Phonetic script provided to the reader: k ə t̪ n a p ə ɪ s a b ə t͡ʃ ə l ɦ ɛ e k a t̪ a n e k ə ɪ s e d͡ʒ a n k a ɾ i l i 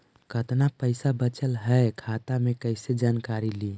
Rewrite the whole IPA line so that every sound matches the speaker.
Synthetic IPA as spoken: k ə t̪ n a p ə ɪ s a b ə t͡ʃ ə l ɦ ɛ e kʰ a t̪ a m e k ə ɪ s e d͡ʒ a n k a ɾ i l i